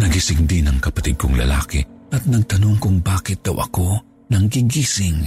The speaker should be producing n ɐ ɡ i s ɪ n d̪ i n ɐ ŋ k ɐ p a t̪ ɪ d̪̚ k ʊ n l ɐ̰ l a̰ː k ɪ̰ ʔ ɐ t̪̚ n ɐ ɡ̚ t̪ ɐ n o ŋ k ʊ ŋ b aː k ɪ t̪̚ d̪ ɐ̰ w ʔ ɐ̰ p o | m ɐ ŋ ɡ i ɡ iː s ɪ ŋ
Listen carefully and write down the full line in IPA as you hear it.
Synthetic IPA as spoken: n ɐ ɡ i s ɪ ŋ d̪ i n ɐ ŋ k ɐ p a t̪ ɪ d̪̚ k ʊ ŋ l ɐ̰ l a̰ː k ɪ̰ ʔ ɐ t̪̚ n ɐ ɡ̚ t̪ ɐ n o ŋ k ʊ ŋ b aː k ɪ t̪̚ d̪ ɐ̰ w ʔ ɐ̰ k o | n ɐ ŋ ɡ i ɡ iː s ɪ ŋ